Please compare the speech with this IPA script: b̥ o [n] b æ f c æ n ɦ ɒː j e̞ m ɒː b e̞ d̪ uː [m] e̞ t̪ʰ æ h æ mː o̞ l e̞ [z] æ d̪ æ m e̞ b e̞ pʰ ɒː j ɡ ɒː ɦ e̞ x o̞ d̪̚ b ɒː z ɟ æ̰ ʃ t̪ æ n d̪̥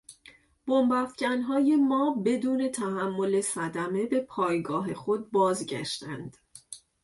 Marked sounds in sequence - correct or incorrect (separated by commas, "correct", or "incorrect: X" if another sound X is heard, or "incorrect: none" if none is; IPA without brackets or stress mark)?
incorrect: m, incorrect: n, incorrect: s